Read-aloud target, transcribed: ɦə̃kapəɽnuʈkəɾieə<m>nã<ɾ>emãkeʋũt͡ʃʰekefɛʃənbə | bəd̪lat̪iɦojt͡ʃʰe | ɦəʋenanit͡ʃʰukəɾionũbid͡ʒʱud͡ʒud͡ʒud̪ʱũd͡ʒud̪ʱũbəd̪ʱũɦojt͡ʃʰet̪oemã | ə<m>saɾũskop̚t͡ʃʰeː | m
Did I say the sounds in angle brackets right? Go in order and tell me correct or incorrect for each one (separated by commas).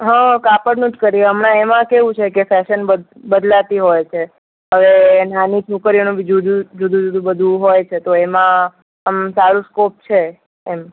correct, incorrect, correct